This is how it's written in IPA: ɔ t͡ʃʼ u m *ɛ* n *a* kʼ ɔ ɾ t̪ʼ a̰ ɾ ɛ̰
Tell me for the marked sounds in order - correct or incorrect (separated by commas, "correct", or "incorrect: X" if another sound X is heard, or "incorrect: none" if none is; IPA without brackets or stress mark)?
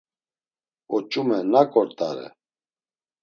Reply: correct, correct